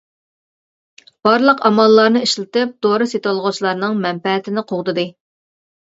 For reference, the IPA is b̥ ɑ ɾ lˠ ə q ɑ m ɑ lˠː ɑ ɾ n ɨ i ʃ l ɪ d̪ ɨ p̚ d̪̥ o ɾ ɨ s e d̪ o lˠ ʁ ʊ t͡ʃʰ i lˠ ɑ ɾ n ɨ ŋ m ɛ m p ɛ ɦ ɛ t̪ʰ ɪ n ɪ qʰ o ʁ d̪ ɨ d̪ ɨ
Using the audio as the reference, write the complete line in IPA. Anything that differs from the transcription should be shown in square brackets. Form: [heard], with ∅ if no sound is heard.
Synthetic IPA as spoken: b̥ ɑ ɾ lˠ ə q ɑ m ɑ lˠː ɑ ɾ n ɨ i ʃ l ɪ [t̪] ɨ p̚ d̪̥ o ɾ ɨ s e [t̪] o lˠ ʁ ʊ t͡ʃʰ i lˠ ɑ ɾ n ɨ ŋ m ɛ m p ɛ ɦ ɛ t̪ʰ ɪ n ɪ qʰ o ʁ d̪ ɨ d̪ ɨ